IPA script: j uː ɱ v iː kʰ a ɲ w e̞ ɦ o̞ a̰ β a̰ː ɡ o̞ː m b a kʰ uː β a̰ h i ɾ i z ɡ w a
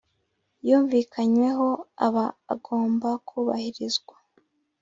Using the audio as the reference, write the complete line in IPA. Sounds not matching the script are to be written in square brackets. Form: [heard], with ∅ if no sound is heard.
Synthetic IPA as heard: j uː ɱ v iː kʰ a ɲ w e̞ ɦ o̞ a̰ β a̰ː ɡ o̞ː m b a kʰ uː β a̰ h i ɾ i z ɡ w a